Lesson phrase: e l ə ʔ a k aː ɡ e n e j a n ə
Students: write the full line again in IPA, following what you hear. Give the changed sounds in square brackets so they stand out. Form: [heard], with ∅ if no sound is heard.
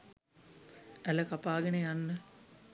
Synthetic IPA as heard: [æ] l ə [k] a [p] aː ɡ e n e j a [nː] ə